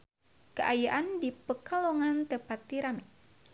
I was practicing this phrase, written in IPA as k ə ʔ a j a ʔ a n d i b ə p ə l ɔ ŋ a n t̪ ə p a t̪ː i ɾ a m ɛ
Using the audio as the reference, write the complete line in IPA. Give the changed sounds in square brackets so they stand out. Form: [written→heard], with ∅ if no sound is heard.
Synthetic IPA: k ə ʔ a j a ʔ a n d i [b→p] ə [p→k] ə l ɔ ŋ a n t̪ ə p a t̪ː i ɾ a m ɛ